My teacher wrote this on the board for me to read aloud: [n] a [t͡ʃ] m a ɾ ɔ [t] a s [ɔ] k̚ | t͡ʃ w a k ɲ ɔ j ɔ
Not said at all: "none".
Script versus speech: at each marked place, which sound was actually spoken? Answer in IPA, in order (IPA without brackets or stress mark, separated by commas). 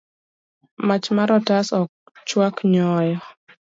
m, t͡ʃ, t, ɔ